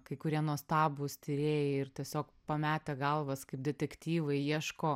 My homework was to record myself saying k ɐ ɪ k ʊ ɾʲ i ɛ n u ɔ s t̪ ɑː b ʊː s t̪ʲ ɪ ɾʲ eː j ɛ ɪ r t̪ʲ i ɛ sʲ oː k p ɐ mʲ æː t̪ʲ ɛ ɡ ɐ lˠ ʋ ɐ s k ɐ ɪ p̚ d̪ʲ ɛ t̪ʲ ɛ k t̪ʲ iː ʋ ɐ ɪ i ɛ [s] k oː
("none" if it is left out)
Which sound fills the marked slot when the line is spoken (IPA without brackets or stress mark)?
ʃ